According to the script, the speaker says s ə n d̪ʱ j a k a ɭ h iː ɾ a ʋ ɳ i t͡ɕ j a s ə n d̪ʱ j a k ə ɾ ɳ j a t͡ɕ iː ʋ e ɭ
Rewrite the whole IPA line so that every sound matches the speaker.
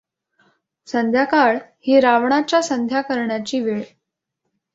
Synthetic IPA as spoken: s ə n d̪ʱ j a k a ɭ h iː ɾ a ʋ ɳ a t͡ɕ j a s ə n d̪ʱ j a k ə ɾ ɳ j a t͡ɕ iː ʋ e ɭ